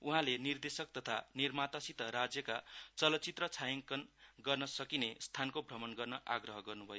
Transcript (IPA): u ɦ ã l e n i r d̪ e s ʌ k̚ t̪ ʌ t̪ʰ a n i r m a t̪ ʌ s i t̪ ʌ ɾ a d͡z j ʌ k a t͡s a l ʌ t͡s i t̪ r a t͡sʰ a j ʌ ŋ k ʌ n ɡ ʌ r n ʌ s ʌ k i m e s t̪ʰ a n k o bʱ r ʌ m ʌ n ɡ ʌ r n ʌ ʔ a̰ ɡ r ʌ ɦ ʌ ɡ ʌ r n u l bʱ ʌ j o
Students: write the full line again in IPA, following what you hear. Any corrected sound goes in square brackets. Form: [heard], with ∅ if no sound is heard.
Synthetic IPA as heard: u ɦ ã l e n i r d̪ e s ʌ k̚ t̪ ʌ t̪ʰ a n i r m a t̪ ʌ s i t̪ ʌ ɾ a d͡z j ʌ k a t͡s [ʌ] l ʌ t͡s i t̪ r [ʌ] t͡sʰ a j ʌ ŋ k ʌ n ɡ ʌ r n ʌ s ʌ k i [n] e s t̪ʰ a n k o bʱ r ʌ m ʌ n ɡ ʌ r n ʌ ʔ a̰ ɡ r ʌ ɦ ʌ ɡ ʌ r n u [∅] bʱ ʌ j o